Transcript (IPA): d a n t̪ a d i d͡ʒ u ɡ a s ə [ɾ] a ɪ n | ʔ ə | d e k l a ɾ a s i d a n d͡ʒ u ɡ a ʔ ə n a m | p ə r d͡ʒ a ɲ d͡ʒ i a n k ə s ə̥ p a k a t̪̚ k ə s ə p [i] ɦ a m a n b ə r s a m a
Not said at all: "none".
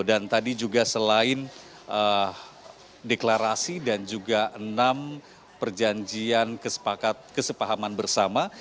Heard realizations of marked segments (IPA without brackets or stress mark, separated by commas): l, a